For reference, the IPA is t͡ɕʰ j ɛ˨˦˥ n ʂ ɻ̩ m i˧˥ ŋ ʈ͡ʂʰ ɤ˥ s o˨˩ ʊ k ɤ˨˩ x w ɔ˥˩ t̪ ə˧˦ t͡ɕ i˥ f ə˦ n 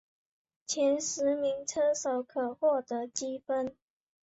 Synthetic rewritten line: t͡ɕʰ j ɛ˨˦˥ n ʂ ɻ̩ m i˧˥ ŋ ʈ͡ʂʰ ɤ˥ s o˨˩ ʊ kʰ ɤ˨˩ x w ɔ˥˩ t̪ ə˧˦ t͡ɕ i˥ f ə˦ n